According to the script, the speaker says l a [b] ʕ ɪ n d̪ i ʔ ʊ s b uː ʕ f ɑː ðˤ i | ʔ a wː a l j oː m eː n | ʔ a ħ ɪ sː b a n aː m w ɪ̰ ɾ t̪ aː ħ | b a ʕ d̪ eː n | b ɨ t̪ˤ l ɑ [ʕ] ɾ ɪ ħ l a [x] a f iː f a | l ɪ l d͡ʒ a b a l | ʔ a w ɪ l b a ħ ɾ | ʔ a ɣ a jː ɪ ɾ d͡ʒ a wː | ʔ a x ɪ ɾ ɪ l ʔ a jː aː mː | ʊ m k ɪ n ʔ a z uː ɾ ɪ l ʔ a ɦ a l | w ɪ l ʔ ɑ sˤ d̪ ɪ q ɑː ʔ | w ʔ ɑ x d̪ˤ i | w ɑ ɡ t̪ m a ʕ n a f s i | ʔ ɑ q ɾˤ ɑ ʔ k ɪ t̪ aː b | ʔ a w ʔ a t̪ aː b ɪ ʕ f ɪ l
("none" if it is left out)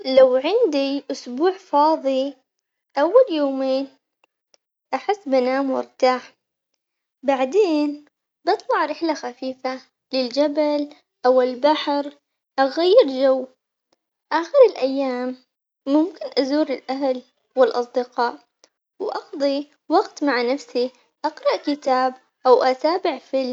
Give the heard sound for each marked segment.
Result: w, ʕ, x

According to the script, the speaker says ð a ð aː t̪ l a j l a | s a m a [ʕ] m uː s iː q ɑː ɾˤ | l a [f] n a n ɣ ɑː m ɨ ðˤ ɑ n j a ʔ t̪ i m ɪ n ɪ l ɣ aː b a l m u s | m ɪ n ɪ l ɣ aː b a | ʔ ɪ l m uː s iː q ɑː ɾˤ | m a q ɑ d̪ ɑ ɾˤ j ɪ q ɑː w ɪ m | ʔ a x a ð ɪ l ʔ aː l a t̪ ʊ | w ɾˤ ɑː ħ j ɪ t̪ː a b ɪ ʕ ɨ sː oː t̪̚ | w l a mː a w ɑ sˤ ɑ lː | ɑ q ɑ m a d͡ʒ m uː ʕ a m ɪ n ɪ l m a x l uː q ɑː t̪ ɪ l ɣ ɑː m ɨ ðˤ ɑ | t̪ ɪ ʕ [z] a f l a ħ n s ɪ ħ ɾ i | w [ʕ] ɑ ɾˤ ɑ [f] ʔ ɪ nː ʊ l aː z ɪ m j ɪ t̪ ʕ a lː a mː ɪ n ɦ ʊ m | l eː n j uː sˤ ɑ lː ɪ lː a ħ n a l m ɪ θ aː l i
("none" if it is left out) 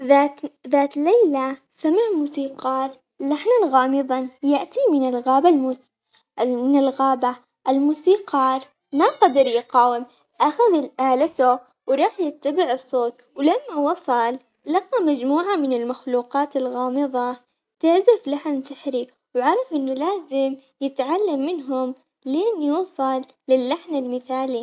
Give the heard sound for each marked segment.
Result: ʕ, ħ, z, ʕ, f

